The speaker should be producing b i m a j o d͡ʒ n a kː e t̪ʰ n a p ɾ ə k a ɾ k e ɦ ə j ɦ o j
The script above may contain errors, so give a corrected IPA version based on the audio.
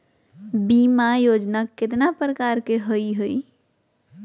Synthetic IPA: b i m a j o d͡ʒ n a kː e t̪ n a p ɾ ə k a ɾ k e ɦ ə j ɦ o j

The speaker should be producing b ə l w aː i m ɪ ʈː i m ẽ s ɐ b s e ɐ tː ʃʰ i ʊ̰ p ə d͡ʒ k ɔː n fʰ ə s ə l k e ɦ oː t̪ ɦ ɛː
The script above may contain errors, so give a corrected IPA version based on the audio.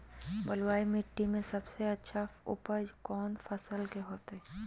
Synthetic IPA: b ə l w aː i m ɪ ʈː i m ẽ s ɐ b s e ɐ tː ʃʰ a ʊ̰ p ə d͡ʒ k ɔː n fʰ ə s ə l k e ɦ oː t̪ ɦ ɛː

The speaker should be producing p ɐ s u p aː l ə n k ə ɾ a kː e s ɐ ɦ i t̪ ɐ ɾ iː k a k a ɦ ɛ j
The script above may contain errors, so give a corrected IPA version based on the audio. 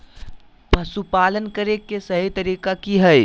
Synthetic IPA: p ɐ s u p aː l ə n k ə ɾ e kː e s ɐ ɦ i t̪ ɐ ɾ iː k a k i ɦ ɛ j

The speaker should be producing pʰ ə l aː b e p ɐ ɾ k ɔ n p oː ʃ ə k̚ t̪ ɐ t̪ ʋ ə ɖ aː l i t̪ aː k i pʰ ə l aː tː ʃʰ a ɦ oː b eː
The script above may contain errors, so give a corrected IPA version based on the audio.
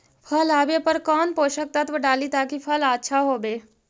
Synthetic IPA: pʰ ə l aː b e p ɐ ɾ k ɔː n p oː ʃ ə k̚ t̪ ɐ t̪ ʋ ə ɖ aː l i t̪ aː k i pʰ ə l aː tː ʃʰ a ɦ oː b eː

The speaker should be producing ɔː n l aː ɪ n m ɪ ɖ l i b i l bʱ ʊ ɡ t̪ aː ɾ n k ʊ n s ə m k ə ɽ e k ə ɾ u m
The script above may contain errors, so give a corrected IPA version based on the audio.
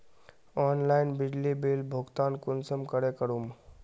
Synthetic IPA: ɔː n l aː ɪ n b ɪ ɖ l i b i l bʱ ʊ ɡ t̪ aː n k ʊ n s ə m k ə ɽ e k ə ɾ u m

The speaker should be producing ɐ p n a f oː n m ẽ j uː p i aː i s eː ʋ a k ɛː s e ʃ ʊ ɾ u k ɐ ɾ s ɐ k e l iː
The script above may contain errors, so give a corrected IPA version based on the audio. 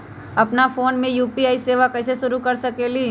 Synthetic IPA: ɐ p n a f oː n m ẽ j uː p i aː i s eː ʋ a k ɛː s e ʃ ʊ ɾ u k ɐ ɾ s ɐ k e l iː

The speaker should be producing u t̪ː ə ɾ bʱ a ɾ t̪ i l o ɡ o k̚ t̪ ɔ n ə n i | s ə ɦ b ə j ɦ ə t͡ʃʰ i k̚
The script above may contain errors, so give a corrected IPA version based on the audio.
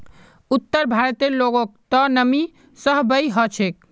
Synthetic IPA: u t̪ː ə ɾ bʱ a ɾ t̪ e l o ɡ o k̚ t̪ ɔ n ə m i | s ə ɦ b ə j ɦ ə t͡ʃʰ e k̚

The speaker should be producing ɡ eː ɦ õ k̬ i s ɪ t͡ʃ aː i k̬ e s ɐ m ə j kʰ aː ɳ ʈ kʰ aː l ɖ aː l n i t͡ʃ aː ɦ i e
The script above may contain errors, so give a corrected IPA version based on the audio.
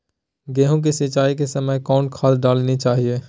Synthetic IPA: ɡ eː ɦ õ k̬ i s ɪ t͡ʃ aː i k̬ e s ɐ m ə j k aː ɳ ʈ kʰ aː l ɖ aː l n i t͡ʃ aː ɦ i e

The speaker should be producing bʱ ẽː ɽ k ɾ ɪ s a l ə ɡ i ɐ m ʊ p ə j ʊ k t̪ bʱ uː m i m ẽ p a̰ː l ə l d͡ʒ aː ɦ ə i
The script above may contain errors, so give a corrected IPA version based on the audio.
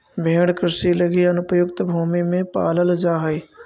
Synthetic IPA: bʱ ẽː ɽ k ɾ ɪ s i l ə ɡ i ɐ n ʊ p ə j ʊ k t̪ bʱ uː m i m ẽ p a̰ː l ə l d͡ʒ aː ɦ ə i

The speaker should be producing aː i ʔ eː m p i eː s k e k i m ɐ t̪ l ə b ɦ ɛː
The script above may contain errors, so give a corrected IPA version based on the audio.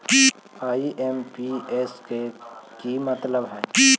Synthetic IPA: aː i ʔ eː m p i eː s k e k i m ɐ t̪ l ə b ɦ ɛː

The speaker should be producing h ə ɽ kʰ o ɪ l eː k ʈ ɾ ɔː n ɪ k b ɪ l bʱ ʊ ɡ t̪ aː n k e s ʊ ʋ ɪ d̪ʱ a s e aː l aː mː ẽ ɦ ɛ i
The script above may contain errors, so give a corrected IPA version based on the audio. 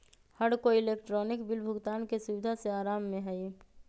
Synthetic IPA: h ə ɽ k o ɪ l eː k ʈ ɾ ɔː n ɪ k b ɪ l bʱ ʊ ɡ t̪ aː n k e s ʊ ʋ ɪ d̪ʱ a s e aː ɾ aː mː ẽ ɦ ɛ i

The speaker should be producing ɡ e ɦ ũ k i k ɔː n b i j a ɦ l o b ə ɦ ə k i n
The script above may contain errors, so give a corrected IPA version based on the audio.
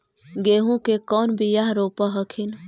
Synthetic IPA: ɡ e ɦ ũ k e k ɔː n b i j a ɦ ɾ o p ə ɦ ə kʰ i n

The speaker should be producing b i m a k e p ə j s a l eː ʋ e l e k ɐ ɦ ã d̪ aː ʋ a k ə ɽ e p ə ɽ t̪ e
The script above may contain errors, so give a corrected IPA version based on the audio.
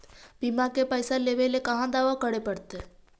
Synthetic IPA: b i m a k e p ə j s a l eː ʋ e l e k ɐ ɦ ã d̪ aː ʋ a k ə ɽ e p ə ɽ t̪ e

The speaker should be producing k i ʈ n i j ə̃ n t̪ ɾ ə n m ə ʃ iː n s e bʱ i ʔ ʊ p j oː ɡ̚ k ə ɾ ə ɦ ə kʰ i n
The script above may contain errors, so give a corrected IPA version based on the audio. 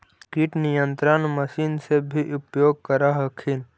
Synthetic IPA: k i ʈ n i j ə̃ n t̪ ɾ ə n m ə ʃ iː n s e bʱ i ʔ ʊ p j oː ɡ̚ k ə ɾ a ɦ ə kʰ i n

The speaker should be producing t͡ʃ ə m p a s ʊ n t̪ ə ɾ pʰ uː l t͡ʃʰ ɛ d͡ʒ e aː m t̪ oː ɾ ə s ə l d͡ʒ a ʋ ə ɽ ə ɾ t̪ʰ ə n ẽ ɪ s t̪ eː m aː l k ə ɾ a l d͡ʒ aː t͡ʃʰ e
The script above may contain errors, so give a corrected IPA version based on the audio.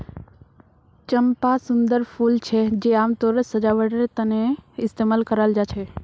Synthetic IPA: t͡ʃ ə m p a s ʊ n d̪ ə ɾ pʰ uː l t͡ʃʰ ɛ d͡ʒ e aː m t̪ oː ɾ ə s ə d͡ʒ a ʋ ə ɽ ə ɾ t̪ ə n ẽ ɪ s t̪ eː m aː l k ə ɾ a l d͡ʒ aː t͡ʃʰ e

